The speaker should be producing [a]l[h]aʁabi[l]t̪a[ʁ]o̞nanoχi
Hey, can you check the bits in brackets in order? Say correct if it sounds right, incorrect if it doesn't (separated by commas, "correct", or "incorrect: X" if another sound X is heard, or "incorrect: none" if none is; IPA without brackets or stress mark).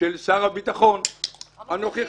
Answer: incorrect: e, incorrect: s, incorrect: none, incorrect: χ